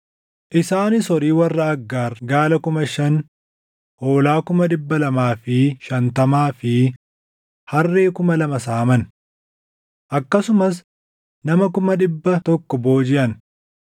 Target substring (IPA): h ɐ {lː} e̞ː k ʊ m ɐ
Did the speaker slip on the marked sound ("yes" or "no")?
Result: yes